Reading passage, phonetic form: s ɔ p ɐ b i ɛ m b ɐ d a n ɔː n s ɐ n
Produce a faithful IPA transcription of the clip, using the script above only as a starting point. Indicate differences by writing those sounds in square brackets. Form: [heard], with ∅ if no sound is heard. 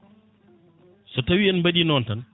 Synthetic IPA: s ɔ [t] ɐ [w] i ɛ [n] b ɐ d [i] n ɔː n [t] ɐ n